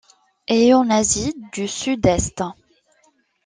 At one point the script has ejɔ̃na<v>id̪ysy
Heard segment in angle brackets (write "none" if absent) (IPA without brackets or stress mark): z